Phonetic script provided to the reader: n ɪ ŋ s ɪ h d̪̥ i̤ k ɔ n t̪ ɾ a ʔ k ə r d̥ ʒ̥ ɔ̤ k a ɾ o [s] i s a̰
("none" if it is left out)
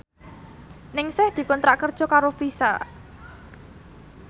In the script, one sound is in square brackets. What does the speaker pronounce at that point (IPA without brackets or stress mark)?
f